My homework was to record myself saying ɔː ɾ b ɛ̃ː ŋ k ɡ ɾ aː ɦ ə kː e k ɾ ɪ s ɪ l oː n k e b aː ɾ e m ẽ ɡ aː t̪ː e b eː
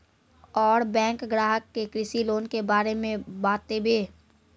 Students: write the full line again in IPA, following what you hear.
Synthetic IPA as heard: ɔː ɾ b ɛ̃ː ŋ k ɡ ɾ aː ɦ ə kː e k ɾ ɪ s i l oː n k e b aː ɾ e m ẽ b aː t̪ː e b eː